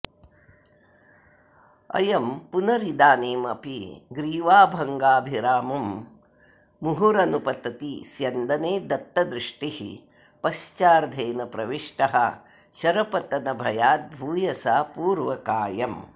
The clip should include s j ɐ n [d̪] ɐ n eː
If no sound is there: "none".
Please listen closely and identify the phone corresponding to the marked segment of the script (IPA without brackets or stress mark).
d̪